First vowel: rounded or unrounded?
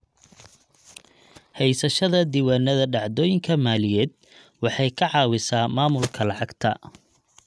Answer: unrounded